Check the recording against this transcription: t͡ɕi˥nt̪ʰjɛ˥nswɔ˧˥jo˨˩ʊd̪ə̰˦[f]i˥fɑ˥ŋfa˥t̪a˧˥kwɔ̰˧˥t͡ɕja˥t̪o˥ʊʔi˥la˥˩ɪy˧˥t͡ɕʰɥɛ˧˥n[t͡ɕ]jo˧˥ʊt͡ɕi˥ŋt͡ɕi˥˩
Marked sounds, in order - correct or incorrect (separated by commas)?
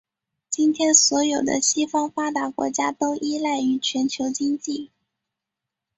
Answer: incorrect, incorrect